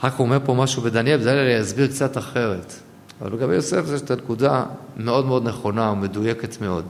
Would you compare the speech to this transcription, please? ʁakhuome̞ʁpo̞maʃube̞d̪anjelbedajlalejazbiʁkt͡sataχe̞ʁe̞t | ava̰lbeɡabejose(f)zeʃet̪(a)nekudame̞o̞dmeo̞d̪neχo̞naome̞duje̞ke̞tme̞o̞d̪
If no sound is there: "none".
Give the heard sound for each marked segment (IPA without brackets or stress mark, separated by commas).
f, a